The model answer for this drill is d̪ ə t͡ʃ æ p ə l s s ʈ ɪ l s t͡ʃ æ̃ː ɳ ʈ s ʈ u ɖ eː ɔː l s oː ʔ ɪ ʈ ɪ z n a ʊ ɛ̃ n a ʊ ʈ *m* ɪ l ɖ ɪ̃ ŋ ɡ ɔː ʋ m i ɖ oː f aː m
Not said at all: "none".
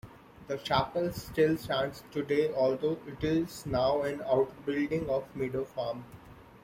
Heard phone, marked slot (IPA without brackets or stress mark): b